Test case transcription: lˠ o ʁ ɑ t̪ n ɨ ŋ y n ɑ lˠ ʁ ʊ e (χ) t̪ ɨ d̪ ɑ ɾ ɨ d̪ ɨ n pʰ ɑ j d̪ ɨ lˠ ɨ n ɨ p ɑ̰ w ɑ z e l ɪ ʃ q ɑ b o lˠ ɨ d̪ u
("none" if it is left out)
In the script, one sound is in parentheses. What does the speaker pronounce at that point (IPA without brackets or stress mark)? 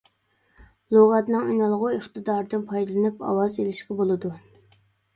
χ